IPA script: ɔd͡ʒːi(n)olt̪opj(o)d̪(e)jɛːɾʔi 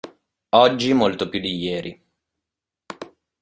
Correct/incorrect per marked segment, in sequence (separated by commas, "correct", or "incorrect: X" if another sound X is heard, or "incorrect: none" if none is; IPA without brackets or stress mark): incorrect: m, incorrect: u, incorrect: i